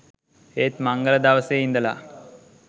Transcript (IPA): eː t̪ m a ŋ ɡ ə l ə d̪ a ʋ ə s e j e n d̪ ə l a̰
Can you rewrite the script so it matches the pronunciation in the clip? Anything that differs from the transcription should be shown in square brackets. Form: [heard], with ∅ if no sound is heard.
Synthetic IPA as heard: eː t̪ m a ŋ ɡ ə l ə d̪ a ʋ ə s e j [i] n d̪ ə l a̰